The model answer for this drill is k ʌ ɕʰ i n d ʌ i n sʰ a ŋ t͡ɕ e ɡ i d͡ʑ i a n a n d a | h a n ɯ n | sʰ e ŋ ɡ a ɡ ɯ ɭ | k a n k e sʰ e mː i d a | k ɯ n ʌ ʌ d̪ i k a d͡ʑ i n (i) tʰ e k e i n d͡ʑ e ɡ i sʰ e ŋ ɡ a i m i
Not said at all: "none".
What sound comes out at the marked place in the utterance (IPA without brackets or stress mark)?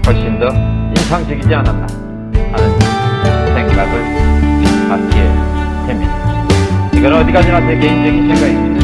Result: a